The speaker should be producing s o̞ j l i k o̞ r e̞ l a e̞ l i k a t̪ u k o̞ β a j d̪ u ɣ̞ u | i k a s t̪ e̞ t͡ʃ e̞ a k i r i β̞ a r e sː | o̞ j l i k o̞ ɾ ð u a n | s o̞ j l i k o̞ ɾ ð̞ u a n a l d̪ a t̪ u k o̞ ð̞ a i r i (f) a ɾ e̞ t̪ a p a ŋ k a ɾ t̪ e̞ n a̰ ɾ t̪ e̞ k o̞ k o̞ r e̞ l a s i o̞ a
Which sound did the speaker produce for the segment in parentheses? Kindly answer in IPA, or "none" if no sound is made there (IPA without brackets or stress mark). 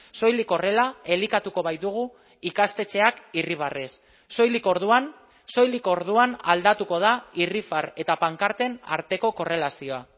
f